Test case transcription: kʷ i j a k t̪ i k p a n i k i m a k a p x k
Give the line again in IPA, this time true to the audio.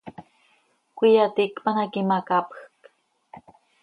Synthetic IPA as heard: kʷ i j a t̪ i k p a n a k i m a k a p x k